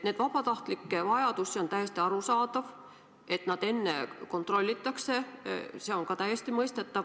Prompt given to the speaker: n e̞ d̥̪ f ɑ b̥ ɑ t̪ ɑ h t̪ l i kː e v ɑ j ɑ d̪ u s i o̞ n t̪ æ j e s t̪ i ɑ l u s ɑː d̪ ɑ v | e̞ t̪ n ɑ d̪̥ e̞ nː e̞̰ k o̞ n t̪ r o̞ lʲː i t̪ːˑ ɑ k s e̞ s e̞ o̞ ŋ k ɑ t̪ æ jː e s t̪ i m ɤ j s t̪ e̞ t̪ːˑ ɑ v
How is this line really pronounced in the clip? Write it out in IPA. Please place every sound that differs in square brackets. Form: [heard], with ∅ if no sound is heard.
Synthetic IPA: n e̞ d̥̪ [v] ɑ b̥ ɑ t̪ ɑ h t̪ l i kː e v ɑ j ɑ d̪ u s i o̞ n t̪ æ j e s t̪ i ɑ [ɾ] u s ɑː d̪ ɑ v | e̞ t̪ n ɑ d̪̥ e̞ nː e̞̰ k o̞ n t̪ r o̞ lʲː i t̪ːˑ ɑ k s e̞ s e̞ o̞ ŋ k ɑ t̪ æ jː e s t̪ i m ɤ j s t̪ e̞ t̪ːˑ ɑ v